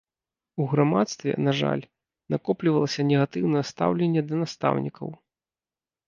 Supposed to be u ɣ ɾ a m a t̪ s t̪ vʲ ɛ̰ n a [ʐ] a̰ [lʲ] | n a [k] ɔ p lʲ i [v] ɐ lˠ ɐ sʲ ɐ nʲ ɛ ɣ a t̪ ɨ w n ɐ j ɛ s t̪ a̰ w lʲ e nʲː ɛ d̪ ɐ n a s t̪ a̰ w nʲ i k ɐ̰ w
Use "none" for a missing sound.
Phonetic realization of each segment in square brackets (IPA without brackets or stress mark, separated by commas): ʐ, lʲ, k, v